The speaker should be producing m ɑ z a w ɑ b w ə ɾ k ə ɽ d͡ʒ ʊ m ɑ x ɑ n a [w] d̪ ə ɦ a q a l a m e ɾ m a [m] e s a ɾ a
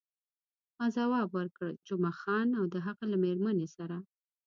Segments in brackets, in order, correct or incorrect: correct, incorrect

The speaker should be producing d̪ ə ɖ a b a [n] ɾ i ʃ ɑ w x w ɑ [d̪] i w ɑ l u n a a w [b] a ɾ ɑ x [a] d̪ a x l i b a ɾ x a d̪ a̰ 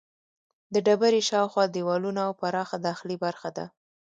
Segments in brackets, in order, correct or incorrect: incorrect, correct, incorrect, correct

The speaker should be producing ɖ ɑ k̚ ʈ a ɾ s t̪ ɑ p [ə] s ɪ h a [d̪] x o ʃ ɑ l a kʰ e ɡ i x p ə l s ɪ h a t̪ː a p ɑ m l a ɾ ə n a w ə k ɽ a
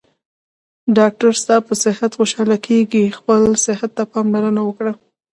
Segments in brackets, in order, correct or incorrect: correct, incorrect

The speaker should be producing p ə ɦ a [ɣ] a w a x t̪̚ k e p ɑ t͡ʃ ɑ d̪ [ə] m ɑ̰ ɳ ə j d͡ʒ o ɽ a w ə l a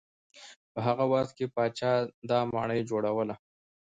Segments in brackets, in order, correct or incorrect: correct, incorrect

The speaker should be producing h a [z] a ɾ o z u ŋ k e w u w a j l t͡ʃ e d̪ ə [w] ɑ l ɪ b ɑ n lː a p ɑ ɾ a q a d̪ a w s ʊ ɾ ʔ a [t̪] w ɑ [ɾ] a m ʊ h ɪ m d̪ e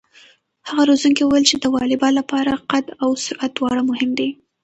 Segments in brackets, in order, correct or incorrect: incorrect, correct, correct, incorrect

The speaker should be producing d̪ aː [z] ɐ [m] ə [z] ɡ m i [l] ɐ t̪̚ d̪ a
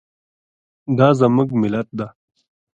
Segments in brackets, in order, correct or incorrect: correct, correct, incorrect, correct

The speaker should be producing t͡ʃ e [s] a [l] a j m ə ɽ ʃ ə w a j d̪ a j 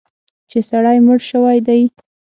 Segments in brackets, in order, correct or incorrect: correct, incorrect

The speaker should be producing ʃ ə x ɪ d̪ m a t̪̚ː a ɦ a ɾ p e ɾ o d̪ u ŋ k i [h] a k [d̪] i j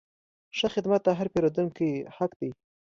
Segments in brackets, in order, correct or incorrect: correct, correct

